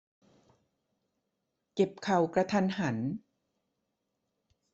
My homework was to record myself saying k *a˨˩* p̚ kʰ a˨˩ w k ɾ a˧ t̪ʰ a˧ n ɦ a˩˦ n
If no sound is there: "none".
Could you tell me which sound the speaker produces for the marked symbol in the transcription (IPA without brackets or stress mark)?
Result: e˨˩